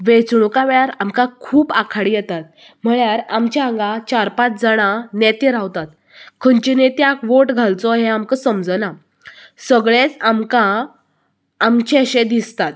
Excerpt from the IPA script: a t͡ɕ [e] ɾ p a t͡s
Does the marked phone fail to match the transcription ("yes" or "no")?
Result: yes